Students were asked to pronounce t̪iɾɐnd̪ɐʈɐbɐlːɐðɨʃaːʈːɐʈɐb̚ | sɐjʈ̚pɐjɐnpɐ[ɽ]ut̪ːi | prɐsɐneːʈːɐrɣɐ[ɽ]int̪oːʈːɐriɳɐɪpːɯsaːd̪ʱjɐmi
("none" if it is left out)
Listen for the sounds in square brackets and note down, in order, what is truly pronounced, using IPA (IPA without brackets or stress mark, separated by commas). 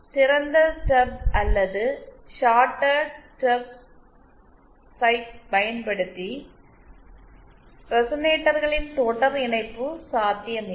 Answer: ɽ, ɭ